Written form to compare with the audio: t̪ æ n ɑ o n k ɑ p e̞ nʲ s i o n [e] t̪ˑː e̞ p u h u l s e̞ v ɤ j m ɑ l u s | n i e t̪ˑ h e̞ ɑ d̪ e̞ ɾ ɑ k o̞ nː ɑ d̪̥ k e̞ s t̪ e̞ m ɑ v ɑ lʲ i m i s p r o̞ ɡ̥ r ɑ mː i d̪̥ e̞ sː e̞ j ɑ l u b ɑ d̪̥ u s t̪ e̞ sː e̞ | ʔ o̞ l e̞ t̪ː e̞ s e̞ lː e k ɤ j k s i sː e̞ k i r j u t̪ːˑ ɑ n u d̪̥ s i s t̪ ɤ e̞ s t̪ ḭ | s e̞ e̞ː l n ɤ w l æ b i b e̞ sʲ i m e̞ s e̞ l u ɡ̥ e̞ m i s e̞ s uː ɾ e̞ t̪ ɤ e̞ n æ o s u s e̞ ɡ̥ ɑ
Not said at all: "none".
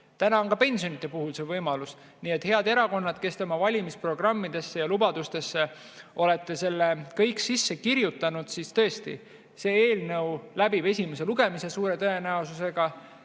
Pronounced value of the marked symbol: i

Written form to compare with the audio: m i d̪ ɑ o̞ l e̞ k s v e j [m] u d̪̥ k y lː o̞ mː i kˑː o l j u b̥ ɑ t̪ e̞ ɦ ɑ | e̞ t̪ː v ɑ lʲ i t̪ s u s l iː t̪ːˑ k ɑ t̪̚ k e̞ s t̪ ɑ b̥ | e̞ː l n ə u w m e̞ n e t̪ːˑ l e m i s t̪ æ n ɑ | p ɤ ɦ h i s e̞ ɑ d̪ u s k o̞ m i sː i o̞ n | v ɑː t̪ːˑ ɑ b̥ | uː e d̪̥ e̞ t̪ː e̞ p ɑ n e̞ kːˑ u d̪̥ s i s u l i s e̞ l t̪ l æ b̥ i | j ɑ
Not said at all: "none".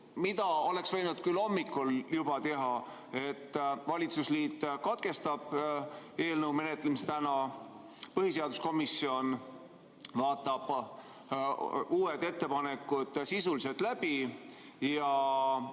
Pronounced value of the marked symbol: n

